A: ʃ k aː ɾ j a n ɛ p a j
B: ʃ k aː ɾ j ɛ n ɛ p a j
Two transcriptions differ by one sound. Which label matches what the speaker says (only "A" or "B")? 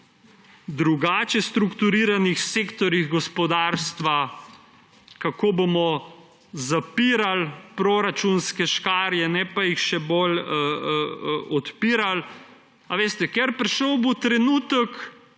B